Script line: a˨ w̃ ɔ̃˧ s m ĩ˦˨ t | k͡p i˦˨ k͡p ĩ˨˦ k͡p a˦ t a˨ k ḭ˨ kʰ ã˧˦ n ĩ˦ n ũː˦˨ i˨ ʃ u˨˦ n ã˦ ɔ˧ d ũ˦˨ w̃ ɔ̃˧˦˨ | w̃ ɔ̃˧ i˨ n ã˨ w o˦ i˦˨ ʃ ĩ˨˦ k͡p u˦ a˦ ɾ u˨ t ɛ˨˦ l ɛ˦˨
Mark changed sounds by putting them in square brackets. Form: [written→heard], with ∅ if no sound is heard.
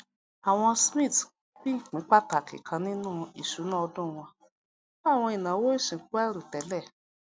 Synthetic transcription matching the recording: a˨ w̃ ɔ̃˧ s m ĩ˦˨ t | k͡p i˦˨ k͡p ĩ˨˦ k͡p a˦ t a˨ k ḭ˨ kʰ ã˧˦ n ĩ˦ n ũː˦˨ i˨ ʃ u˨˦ n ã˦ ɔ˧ d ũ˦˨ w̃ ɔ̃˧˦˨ | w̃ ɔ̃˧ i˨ n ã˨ w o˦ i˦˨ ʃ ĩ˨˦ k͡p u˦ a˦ ɾ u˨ t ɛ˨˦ l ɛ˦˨